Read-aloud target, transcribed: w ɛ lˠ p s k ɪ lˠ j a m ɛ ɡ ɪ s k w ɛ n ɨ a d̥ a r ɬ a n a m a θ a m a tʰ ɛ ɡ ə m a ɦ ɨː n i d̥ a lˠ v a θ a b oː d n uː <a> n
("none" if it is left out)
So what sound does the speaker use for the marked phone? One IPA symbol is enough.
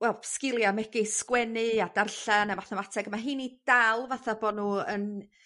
ə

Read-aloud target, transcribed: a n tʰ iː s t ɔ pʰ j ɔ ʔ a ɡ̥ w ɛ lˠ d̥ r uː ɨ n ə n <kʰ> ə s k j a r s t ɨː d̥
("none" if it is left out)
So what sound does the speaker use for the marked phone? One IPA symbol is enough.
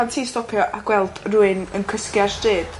kʰ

